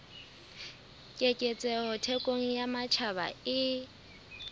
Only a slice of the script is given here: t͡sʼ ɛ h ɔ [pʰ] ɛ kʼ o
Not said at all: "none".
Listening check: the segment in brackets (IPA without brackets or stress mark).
tʰ